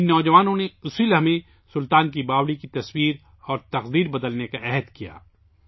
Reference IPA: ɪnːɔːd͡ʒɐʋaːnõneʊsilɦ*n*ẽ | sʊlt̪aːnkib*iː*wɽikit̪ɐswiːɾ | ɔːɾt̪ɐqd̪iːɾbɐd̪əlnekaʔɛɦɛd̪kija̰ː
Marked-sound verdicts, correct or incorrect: incorrect, incorrect

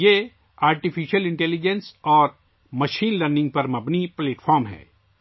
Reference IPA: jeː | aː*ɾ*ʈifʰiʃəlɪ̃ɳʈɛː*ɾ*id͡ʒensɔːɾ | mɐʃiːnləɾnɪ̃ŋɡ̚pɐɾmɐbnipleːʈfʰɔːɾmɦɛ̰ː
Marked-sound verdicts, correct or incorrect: correct, incorrect

